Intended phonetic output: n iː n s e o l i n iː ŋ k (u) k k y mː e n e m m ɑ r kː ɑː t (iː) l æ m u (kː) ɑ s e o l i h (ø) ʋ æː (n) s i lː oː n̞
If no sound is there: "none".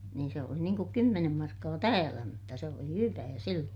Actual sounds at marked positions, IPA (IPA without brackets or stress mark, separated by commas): u, æː, tː, y, none